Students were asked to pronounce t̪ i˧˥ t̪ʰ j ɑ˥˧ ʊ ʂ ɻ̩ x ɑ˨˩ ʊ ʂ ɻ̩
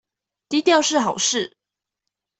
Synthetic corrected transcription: t̪ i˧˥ t̪ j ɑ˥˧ ʊ ʂ ɻ̩ x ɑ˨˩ ʊ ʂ ɻ̩

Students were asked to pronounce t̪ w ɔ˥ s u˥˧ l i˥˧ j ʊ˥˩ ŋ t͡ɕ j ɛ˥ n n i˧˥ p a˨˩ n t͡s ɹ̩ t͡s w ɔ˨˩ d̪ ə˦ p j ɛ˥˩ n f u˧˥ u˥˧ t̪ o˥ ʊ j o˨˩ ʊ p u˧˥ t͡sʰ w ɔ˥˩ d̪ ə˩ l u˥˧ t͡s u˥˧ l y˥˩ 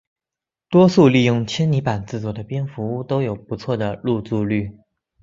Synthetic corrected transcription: t̪ w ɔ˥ s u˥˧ l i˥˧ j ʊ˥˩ ŋ t͡ɕʰ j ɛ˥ n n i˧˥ p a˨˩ n t͡s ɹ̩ t͡s w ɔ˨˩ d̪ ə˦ p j ɛ˥ n f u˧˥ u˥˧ t̪ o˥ ʊ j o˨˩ ʊ p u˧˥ t͡sʰ w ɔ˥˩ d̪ ə˩ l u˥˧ t͡s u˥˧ l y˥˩

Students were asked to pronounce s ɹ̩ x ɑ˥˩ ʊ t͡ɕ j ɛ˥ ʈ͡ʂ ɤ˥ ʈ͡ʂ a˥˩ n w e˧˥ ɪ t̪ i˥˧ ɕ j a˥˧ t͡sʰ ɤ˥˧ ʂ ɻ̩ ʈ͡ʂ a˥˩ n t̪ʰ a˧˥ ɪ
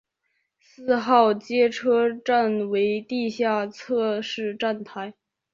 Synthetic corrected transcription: s ɹ̩ x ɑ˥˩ ʊ t͡ɕ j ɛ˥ ʈ͡ʂʰ ɤ˥ ʈ͡ʂ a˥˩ n w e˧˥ ɪ t̪ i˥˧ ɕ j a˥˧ t͡sʰ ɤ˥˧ ʂ ɻ̩ ʈ͡ʂ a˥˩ n t̪ʰ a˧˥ ɪ

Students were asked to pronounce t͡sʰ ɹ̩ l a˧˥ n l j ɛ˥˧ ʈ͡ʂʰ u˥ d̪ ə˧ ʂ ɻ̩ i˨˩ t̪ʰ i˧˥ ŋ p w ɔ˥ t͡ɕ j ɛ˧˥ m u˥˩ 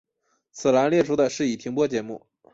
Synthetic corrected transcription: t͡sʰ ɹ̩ l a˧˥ n l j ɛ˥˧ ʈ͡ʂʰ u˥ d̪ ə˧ ʂ ɻ̩ i˨˩ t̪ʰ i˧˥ ŋ p w ɔ˥ t͡ɕ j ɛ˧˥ m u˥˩

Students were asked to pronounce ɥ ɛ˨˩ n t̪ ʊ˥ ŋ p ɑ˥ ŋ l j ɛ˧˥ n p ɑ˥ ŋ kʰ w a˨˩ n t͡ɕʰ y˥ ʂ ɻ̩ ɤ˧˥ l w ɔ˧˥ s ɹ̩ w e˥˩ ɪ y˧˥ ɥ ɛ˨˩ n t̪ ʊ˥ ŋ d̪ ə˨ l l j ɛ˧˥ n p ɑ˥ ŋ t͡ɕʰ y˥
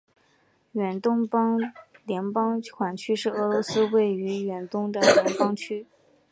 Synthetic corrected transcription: ɥ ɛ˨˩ n t̪ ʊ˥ ŋ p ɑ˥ ŋ l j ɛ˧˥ n p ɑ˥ ŋ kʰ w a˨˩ n t͡ɕʰ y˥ ʂ ɻ̩ ɤ˧˥ l w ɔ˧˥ s ɹ̩ w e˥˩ ɪ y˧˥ ɥ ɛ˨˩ n t̪ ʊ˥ ŋ d̪ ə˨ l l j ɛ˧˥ n p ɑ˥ ŋ t͡ɕʰ y˥

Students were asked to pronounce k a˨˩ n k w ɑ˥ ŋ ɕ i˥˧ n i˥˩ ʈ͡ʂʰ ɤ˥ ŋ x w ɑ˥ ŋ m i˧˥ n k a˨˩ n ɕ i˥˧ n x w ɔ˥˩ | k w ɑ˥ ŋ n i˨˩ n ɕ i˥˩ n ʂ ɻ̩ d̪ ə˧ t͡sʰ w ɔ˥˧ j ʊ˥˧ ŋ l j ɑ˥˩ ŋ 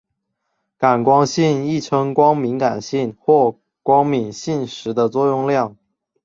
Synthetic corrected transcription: k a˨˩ n k w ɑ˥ ŋ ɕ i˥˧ n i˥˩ ʈ͡ʂʰ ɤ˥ ŋ k w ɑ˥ ŋ m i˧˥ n k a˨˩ n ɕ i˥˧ n x w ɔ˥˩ | k w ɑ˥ ŋ m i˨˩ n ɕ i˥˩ n ʂ ɻ̩ d̪ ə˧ t͡s w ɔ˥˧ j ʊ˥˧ ŋ l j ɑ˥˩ ŋ

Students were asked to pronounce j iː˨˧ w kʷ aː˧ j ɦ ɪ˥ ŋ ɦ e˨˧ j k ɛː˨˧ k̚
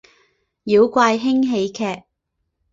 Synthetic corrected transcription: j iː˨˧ w kʷ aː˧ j ɦ ɪ˥ ŋ ɦ e˨˧ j kʰ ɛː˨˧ k̚

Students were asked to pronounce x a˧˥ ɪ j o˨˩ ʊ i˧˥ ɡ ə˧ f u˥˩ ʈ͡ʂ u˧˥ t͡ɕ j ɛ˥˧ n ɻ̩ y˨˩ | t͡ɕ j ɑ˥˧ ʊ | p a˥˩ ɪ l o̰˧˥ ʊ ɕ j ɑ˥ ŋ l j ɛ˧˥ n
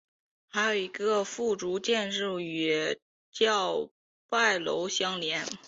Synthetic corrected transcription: x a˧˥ ɪ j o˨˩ ʊ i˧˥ ɡ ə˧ f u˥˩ ʈ͡ʂ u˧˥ t͡ɕ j ɛ˥˧ n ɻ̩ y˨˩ | t͡ɕ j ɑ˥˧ ʊ | p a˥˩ ɪ l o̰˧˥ ʊ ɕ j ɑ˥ ŋ l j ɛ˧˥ n

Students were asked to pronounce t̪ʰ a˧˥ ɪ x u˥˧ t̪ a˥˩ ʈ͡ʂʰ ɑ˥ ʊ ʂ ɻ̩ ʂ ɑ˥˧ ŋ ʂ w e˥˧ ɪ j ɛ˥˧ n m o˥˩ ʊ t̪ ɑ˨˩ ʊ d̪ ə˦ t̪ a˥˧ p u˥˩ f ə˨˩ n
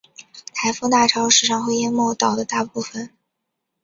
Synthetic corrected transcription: t̪ʰ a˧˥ ɪ f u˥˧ t̪ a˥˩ ʈ͡ʂʰ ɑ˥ ʊ ʂ ɻ̩ ʂ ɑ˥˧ ŋ x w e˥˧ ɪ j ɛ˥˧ n m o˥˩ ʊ t̪ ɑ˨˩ ʊ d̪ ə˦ t̪ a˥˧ p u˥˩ f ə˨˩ n

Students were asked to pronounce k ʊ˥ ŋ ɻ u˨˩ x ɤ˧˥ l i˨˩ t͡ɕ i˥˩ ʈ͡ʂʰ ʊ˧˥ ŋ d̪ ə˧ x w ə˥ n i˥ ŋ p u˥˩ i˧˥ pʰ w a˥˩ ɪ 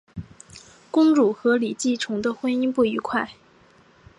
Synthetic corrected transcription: k ʊ˥ ŋ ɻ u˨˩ x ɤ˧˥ l i˨˩ t͡ɕ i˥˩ ʈ͡ʂʰ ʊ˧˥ ŋ d̪ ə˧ x w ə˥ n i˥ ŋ p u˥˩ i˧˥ kʰ w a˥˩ ɪ

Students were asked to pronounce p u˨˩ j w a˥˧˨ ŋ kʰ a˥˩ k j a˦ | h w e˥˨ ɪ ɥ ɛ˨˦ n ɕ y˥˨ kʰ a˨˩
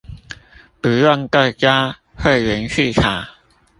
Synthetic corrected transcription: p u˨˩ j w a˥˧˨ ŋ k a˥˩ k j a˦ | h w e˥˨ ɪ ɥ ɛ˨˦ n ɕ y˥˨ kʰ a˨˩

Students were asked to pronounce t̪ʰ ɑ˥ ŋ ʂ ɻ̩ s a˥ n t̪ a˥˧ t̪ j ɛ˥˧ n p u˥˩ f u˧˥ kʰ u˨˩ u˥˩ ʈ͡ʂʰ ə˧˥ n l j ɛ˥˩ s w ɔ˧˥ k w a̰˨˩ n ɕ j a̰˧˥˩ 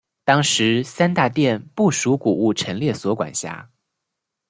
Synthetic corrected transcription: t̪ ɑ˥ ŋ ʂ ɻ̩ s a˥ n t̪ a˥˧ t̪ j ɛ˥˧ n p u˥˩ ʂ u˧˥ k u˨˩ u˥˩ ʈ͡ʂʰ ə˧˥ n l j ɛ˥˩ s w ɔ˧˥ k w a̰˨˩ n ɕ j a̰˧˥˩

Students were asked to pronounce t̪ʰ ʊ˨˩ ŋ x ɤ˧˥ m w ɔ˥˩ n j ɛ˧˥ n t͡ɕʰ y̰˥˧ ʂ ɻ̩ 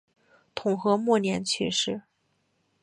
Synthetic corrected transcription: t̪ʰ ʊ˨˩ ŋ x ɤ˧˥ m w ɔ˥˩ n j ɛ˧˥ n t͡ɕʰ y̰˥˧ ʂ ɻ̩

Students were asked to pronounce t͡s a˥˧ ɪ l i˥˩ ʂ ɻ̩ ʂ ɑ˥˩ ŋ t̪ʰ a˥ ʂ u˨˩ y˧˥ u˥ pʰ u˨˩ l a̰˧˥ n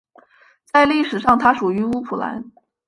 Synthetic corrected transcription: t͡s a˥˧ ɪ l i˥˩ ʂ ɻ̩ ʂ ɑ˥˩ ŋ t̪ʰ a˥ ʂ u˨˩ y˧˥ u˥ pʰ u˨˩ l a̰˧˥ n

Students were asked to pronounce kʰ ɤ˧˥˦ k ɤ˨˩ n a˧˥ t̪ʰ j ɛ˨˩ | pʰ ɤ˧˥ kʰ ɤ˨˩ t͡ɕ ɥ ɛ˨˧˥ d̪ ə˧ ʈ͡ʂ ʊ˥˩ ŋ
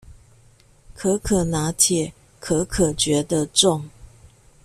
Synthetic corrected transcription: kʰ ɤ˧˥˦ kʰ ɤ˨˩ n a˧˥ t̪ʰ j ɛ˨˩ | kʰ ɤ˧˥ kʰ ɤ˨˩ t͡ɕ ɥ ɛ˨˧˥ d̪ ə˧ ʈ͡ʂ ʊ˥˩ ŋ

